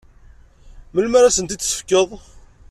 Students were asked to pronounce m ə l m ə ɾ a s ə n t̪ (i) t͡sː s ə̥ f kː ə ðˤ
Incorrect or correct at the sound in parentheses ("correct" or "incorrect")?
correct